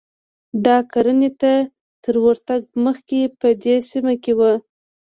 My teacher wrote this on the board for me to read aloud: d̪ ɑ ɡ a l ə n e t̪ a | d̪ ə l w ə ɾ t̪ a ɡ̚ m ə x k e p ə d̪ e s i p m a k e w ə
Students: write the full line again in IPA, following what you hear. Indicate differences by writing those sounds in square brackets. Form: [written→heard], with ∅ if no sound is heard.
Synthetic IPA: d̪ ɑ [ɡ→k] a [l→ɾ] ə n e t̪ a | [d̪→t̪] ə [l→ɾ] w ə ɾ t̪ a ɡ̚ m ə x k e p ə d̪ e s i [p→∅] m a k e w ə